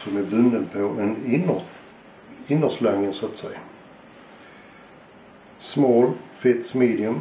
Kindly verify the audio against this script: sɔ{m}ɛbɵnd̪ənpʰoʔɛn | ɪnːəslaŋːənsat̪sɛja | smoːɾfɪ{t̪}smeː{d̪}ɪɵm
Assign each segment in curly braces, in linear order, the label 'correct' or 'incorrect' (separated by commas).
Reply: correct, correct, correct